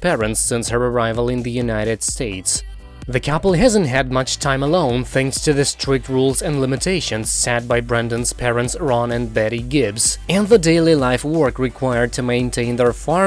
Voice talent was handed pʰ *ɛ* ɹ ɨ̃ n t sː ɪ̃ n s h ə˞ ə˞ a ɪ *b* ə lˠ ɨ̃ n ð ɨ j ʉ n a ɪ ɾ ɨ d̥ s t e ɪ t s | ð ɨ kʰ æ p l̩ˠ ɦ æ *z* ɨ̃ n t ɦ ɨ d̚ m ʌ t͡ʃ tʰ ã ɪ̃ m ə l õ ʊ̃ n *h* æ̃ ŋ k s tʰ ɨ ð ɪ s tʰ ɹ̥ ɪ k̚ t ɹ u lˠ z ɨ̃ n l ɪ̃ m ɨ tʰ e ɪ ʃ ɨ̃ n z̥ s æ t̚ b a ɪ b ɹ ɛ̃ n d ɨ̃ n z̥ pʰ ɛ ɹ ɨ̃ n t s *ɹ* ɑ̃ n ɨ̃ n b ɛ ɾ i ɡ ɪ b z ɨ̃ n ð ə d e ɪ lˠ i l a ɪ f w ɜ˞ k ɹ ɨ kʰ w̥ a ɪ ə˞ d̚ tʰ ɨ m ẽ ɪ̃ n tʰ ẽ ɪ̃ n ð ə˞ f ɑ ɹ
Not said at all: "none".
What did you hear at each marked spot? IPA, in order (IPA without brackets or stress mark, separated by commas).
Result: ɛ, v, z, θ, ɹ